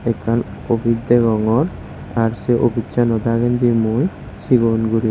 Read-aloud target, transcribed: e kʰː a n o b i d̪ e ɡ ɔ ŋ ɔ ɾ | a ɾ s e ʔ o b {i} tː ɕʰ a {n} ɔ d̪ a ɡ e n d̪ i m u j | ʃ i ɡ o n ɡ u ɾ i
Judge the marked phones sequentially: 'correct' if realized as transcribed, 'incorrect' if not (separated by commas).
correct, correct